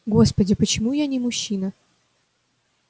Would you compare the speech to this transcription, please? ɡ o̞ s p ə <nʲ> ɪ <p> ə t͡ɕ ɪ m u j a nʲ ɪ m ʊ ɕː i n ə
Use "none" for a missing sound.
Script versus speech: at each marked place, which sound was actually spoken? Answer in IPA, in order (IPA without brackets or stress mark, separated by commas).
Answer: dʲ, p